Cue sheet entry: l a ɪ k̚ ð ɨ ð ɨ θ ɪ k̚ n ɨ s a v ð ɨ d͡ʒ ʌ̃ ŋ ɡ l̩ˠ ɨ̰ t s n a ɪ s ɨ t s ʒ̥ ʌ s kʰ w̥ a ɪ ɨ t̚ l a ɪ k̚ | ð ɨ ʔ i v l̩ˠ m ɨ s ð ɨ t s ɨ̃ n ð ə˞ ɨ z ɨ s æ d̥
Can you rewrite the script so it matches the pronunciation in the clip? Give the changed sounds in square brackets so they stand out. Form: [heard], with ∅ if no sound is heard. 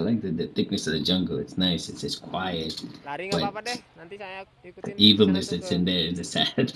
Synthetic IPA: l a ɪ k̚ ð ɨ ð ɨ θ ɪ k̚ n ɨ s [ʌ] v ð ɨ d͡ʒ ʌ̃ ŋ ɡ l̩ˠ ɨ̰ t s n a ɪ s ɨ t s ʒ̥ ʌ s kʰ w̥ a ɪ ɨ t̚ l a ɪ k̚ | ð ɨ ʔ i v l̩ˠ [n] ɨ s ð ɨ t s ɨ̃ n ð ə˞ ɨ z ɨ s æ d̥